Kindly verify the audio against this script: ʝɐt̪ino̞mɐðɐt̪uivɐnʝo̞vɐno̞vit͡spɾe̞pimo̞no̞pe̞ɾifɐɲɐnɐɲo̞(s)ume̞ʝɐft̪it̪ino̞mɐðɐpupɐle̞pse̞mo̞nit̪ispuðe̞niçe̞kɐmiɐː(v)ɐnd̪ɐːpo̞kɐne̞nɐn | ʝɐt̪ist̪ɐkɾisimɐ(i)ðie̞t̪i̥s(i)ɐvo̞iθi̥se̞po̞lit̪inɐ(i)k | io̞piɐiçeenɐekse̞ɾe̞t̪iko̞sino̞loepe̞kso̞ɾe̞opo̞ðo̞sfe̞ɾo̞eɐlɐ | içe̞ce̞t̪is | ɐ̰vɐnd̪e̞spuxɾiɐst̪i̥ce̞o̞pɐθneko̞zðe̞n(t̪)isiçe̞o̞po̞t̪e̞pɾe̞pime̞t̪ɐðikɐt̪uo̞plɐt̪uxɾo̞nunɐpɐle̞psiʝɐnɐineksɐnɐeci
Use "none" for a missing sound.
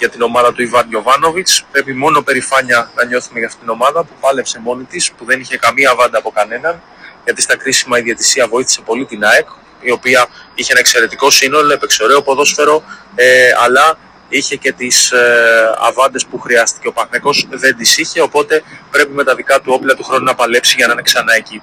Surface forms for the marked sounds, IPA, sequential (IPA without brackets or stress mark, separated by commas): θ, v, i, i, e, d̪